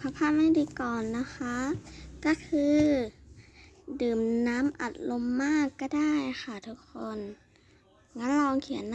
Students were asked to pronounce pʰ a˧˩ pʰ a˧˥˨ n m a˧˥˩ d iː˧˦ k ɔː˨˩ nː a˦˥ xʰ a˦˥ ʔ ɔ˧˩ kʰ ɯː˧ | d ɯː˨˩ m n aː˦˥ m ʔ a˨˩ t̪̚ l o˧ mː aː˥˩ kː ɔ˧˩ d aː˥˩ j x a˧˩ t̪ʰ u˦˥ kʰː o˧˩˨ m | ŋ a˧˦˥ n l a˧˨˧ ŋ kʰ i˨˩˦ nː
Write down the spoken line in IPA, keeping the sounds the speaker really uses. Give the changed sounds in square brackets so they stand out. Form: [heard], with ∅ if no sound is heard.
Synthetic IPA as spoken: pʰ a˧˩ pʰ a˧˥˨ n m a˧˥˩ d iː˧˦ k ɔː˨˩ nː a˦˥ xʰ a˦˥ [k] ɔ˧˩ kʰ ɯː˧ | d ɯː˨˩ m n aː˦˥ m ʔ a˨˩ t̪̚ l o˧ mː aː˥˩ kː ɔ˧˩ d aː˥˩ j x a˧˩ t̪ʰ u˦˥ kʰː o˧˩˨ [n] | ŋ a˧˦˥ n l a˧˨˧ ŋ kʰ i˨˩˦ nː

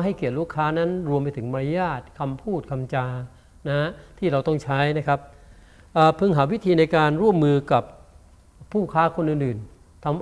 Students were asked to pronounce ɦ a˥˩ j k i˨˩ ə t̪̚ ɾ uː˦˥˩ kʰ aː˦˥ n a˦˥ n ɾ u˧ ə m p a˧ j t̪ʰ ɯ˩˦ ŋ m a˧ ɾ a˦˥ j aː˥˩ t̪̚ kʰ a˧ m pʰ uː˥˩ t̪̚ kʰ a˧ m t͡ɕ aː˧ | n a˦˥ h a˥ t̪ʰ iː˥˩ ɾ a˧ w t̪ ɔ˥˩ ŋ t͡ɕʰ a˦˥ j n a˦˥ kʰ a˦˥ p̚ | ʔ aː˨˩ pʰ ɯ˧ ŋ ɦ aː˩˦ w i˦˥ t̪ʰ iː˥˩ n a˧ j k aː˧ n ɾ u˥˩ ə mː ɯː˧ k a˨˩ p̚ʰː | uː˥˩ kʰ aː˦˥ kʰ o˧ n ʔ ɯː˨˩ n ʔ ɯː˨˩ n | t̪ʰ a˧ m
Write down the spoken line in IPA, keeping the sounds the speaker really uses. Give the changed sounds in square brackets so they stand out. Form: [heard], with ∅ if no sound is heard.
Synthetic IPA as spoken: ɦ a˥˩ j k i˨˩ ə t̪̚ ɾ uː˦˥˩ kʰ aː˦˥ n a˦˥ n ɾ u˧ ə m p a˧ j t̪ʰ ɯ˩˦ ŋ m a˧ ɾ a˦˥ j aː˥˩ t̪̚ kʰ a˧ m pʰ uː˥˩ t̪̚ kʰ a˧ m t͡ɕ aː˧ | n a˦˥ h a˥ t̪ʰ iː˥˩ ɾ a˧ w t̪ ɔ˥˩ ŋ t͡ɕʰ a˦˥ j n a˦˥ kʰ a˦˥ p̚ | ʔ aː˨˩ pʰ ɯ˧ ŋ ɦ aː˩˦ w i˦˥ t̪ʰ [iː˧] n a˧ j k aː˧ n ɾ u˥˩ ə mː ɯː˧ k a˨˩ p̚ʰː | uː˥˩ kʰ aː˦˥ kʰ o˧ n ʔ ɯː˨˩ n ʔ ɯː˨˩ n | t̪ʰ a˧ m

